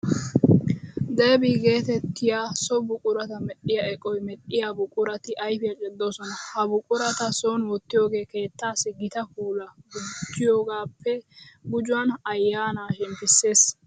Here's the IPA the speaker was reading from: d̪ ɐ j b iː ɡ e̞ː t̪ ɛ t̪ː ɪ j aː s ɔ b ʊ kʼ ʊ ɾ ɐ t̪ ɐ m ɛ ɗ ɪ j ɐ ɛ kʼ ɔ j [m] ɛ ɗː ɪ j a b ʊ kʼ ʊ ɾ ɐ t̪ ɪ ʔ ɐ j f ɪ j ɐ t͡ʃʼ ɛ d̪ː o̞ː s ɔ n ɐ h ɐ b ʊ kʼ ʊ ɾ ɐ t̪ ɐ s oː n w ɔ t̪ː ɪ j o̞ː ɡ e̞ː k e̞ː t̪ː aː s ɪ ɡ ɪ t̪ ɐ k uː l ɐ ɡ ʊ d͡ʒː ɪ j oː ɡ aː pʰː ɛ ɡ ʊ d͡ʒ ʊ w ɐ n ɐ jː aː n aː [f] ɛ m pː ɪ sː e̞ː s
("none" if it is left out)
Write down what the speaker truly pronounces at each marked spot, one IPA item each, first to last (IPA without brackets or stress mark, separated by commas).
m, ʃ